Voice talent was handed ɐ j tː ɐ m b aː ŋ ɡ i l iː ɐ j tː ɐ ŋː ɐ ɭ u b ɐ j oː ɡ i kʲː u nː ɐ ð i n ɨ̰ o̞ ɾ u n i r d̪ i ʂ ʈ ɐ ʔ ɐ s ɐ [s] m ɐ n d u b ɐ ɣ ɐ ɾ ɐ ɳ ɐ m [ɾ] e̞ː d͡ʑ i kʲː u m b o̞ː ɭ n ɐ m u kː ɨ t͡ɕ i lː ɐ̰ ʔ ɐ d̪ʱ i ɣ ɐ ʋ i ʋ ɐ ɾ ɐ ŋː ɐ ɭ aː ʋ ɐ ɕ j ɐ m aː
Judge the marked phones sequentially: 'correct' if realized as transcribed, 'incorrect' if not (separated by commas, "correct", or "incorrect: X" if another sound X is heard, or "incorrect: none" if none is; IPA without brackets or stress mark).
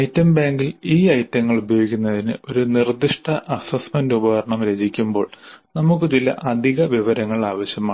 correct, correct